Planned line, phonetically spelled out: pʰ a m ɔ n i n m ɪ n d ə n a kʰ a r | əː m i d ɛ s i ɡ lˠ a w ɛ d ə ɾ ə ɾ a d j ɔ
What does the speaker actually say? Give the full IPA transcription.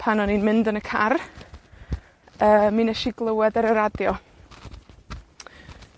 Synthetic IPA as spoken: pʰ a n ɔ n i n m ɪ n d ə n ə kʰ a r | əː m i n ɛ ʃ i ɡ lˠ ə w ɛ d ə ɾ ə ɾ a d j ɔ